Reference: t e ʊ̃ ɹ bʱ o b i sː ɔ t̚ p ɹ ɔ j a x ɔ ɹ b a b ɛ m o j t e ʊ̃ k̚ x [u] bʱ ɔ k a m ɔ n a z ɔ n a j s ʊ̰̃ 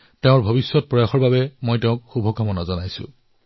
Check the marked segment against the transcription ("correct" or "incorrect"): correct